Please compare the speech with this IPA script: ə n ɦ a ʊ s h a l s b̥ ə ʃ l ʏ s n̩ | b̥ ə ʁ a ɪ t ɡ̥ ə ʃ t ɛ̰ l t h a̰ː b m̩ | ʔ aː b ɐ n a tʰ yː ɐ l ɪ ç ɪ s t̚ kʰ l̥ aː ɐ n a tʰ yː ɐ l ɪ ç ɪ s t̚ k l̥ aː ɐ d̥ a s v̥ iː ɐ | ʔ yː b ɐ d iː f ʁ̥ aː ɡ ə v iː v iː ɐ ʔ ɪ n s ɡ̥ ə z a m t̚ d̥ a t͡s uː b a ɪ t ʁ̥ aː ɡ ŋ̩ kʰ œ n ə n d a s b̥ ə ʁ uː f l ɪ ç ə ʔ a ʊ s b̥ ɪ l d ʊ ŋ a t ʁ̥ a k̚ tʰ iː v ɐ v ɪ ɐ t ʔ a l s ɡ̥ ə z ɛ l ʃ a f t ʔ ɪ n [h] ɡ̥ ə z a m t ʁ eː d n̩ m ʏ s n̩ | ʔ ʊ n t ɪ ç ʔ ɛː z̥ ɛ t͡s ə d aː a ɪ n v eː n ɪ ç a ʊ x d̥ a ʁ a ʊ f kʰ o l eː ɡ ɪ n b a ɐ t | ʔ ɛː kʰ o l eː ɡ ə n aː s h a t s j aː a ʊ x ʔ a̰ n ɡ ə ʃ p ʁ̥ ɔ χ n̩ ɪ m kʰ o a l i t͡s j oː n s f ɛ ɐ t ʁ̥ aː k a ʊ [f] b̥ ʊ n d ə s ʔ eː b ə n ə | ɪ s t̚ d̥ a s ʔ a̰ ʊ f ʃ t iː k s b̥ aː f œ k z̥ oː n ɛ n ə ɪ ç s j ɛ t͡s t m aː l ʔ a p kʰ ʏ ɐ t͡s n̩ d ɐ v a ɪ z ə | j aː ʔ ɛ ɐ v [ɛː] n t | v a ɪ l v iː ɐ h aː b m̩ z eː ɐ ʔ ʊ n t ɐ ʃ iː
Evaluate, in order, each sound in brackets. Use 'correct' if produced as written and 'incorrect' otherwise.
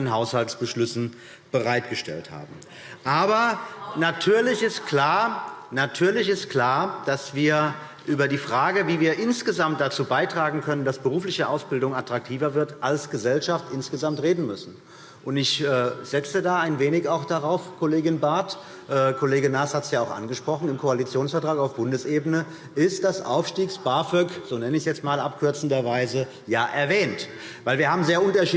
incorrect: s, correct, correct

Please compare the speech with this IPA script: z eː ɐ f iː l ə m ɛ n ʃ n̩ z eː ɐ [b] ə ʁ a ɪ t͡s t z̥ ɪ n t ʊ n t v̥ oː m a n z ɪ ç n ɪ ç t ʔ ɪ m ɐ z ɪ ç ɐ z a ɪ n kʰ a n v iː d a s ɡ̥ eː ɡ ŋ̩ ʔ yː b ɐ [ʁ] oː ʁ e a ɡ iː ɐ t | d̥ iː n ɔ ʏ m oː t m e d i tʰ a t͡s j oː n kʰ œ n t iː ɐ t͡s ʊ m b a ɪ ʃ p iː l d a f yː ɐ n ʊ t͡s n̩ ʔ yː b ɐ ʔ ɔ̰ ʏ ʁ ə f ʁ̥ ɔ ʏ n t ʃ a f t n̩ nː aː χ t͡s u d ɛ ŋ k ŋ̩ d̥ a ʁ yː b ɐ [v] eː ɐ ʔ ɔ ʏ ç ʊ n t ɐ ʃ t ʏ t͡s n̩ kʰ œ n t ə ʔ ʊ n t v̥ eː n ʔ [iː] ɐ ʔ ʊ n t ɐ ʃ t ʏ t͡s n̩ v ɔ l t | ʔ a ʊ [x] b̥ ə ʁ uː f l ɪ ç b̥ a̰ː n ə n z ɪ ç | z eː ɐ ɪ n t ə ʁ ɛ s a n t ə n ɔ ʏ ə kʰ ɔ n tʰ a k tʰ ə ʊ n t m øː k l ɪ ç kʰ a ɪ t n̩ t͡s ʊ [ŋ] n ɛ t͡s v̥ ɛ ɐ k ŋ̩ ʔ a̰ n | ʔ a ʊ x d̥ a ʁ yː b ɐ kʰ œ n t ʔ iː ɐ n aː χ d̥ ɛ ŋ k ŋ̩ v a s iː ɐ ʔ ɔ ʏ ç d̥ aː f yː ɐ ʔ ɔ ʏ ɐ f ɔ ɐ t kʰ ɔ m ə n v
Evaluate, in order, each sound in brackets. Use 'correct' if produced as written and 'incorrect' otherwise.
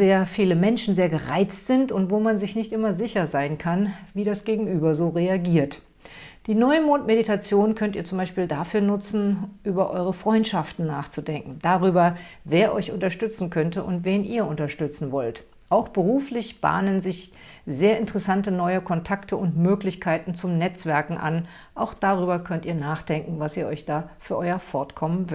incorrect: ɡ, incorrect: z, correct, correct, correct, incorrect: m

